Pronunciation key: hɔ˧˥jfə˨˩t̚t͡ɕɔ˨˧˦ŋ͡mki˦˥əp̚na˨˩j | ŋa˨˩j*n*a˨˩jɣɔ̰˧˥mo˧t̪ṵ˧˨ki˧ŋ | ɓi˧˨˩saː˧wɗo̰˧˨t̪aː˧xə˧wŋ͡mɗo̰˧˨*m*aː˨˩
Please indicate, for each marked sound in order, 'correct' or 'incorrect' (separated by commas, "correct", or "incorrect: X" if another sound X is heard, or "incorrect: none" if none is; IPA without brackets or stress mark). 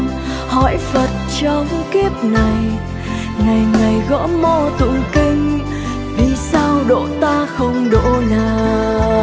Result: incorrect: ŋ, incorrect: n